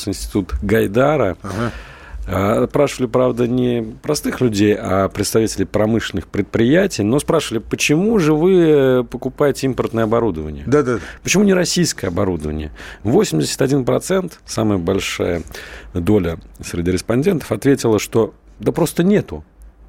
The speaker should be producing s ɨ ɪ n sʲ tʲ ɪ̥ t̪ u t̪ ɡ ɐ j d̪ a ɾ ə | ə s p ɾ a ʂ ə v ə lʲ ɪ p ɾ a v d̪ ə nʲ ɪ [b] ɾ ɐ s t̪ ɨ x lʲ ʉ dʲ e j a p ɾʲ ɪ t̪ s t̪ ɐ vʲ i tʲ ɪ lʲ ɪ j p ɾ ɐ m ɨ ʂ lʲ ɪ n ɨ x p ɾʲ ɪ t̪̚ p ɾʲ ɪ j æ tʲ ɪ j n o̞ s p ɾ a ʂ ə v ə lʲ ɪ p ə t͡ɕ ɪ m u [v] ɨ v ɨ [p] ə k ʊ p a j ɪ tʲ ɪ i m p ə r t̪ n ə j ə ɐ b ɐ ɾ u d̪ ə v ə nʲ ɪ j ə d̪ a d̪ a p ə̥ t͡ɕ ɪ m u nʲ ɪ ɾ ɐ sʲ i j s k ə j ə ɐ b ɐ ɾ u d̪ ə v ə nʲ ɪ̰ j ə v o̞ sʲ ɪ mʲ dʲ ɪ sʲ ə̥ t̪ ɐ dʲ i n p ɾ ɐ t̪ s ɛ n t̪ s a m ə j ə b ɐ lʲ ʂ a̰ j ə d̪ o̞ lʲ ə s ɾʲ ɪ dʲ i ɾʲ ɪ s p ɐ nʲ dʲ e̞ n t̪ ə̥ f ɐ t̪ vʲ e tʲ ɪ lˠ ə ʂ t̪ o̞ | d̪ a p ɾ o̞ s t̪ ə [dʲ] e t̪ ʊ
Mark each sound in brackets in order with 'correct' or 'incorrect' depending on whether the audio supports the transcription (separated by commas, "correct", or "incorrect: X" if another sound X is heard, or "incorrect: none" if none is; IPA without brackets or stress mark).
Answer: incorrect: p, incorrect: ʐ, correct, incorrect: nʲ